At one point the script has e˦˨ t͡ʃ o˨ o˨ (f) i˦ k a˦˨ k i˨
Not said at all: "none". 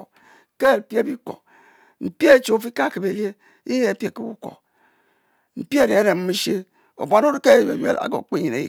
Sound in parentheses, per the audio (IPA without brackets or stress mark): f